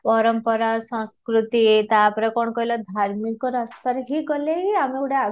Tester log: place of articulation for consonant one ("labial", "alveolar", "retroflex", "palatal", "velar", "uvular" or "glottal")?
labial